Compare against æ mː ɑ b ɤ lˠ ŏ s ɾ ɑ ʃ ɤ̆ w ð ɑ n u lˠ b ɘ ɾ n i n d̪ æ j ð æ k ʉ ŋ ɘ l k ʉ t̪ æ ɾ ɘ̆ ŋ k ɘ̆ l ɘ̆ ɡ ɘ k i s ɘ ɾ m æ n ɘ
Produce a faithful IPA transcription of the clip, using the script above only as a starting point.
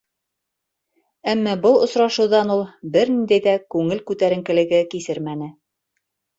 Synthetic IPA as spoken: æ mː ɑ b ɤ lˠ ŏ s ɾ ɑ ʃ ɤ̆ w ð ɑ n u lˠ b ɘ ɾ n i n d̪ æ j ð æ k ʉ ŋ ɘ l k ʉ t̪ æ ɾ ɘ̆ ŋ k ɘ̆ l ɘ̆ ɡ ɘ k i s ɘ ɾ m æ n ɘ